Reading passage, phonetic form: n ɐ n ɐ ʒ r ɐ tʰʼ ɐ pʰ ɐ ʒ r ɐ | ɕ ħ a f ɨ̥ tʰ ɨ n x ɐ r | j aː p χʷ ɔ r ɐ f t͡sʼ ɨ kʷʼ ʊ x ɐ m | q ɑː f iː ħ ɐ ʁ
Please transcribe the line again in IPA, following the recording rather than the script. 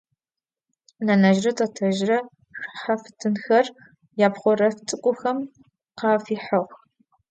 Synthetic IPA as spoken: n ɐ n ɐ ʒ r ɐ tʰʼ ɐ tʰ ɐ ʒ r ɐ | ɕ ħ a f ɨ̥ tʰ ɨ n x ɐ r | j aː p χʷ ɔ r ɐ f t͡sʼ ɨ kʷʼ ʊ x ɐ m | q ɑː f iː ħ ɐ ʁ

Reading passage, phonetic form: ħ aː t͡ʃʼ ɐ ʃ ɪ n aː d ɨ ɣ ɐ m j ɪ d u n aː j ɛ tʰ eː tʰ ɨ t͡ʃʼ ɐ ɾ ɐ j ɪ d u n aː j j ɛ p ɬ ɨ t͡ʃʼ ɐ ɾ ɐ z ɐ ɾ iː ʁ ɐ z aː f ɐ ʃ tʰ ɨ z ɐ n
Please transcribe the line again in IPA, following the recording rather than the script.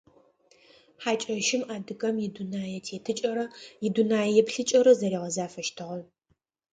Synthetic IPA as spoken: ħ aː t͡ʃʼ ɐ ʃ ɪ m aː d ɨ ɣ ɐ m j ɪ d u n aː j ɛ tʰ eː tʰ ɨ t͡ʃʼ ɐ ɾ ɐ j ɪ d u n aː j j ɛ p ɬ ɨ t͡ʃʼ ɐ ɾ ɐ z ɐ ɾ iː ʁ ɐ z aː f ɐ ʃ tʰ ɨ ʁ ɐ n

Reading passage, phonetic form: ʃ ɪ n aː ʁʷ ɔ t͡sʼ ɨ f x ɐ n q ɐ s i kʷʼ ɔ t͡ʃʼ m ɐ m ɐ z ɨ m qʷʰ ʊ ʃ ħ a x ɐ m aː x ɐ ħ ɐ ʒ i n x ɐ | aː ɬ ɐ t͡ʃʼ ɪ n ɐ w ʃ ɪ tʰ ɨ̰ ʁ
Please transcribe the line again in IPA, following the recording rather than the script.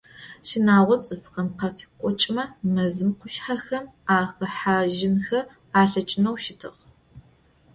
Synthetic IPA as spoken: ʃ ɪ n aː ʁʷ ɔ t͡sʼ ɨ f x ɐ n q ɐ f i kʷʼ ɔ t͡ʃʼ m ɐ m ɐ z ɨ m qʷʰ ʊ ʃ ħ a x ɐ m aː x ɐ ħ a ʒ ɪ n x ɐ | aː ɬ ɐ t͡ʃʼ ɪ n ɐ w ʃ ɪ tʰ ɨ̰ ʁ

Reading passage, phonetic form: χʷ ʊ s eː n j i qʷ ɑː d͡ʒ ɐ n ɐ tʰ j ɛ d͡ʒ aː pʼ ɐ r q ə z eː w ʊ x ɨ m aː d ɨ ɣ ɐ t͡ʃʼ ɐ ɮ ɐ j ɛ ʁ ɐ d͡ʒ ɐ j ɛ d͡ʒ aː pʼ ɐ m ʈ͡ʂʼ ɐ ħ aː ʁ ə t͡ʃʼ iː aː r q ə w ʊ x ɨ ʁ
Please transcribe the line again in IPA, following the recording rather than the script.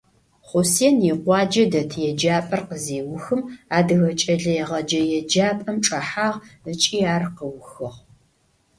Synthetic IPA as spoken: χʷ ʊ s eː n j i qʷ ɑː d͡ʒ ɐ d ɐ tʰ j ɛ d͡ʒ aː pʼ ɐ r q ə z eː w ʊ x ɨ m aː d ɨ ɣ ɐ t͡ʃʼ ɐ ɮ ɐ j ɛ ʁ ɐ d͡ʒ ɐ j ɛ d͡ʒ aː pʼ ɐ m ʈ͡ʂʼ ɐ ħ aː ʁ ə t͡ʃʼ iː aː r q ə w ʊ x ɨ ʁ

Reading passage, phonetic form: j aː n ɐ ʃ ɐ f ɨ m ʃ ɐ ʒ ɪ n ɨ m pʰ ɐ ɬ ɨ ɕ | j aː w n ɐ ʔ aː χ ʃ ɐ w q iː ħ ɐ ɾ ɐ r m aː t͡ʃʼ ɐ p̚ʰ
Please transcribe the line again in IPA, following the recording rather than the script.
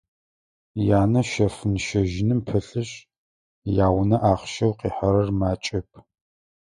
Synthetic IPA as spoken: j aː n ɐ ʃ ɐ f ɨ n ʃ ɐ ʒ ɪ n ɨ m pʰ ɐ ɬ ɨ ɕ | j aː w n ɐ ʔ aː χ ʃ ɐ w q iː ħ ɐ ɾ ɐ r m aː t͡ʃʼ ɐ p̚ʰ

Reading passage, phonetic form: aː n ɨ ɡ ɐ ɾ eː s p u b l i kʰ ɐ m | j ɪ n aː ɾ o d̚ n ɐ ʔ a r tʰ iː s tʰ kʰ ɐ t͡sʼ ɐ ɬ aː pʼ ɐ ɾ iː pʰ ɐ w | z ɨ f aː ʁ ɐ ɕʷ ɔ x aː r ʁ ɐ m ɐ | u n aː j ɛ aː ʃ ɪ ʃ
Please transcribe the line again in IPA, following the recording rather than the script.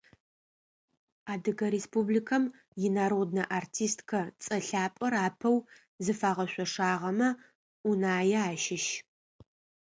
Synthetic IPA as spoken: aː d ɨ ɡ ɐ ɾ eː s p u b l i kʰ ɐ m | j ɪ n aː ɾ o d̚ n ɐ ʔ a r tʰ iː s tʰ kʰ ɐ t͡sʼ ɐ ɬ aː pʼ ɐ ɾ aː pʰ ɐ w | z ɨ f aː ʁ ɐ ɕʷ ɔ ʂ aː ʁ ɐ m ɐ | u n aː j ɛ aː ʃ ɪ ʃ

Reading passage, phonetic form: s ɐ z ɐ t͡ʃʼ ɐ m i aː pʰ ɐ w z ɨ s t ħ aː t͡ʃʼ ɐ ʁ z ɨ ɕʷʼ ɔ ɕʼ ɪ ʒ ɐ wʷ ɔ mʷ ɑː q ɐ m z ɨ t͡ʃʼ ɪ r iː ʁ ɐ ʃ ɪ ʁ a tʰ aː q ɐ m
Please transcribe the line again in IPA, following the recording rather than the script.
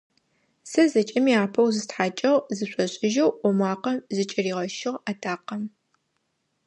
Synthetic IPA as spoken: s ɐ z ɐ t͡ʃʼ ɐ m i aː pʰ ɐ w z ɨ s t ħ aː t͡ʃʼ ɐ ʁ z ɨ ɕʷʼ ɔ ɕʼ ɪ ʒ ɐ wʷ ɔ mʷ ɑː q ɐ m z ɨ t͡ʃʼ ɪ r iː ʁ ɐ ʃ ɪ ʁ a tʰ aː q ɐ m

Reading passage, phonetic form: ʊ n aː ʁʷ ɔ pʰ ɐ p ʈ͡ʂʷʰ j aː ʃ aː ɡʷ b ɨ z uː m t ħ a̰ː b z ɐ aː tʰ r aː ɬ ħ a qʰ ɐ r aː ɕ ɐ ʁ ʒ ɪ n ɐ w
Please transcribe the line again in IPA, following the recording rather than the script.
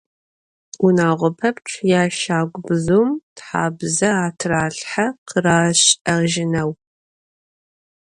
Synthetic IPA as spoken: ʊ n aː ʁʷ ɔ pʰ ɐ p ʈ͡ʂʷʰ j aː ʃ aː ɡʷ b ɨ z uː m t ħ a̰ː b z ɐ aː tʰ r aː ɬ ħ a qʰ ə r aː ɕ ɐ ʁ ʒ ɪ n ɐ w

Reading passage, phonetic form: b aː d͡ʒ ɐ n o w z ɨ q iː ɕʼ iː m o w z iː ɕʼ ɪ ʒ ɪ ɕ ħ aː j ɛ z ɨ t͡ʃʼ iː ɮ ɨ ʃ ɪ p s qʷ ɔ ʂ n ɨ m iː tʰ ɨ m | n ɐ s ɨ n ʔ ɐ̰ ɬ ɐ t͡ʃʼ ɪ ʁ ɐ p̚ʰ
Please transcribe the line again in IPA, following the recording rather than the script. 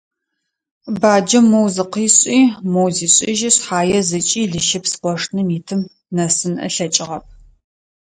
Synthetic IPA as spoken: b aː d͡ʒ ɐ m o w z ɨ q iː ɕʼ iː m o w z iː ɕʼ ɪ ʒ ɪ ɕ ħ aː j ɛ z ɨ t͡ʃʼ iː ɮ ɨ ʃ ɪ p s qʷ ɔ ʂ n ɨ m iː tʰ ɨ m | n ɐ s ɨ n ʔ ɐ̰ ɬ ɐ t͡ʃʼ ɪ ʁ ɐ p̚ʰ

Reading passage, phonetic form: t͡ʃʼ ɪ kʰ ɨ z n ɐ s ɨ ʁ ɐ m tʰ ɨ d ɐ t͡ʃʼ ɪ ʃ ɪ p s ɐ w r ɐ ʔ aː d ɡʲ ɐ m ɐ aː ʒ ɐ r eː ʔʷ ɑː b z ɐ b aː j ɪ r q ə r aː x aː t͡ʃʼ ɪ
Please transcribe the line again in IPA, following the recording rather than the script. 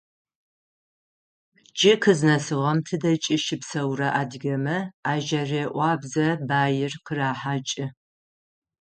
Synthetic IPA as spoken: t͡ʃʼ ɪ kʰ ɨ z n ɐ s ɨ ʁ ɐ m tʰ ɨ d ɐ t͡ʃʼ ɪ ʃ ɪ p s ɐ w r ɐ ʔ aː d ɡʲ ɐ m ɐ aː ʒ ɐ r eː ʔʷ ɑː b z ɐ b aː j ɪ r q ə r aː ħ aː t͡ʃʼ ɪ

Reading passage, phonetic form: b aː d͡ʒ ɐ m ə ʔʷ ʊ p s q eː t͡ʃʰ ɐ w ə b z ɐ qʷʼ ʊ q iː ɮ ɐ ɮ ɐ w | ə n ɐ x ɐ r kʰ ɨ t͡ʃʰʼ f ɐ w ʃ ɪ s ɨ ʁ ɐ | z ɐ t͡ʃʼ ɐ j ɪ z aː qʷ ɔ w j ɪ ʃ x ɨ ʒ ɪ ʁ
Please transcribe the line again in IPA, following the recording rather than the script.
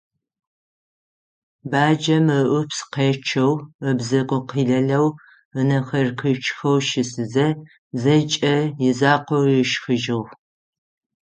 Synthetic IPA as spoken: b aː d͡ʒ ɐ m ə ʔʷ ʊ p s q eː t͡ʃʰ ɐ w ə b z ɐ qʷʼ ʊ q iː ɮ ɐ ɮ ɐ w | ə n ɐ x ɐ r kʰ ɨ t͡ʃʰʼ x ɐ w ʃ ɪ s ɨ z ɐ | z ɐ t͡ʃʼ ɐ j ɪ z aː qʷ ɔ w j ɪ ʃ x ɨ ʒ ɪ ʁ

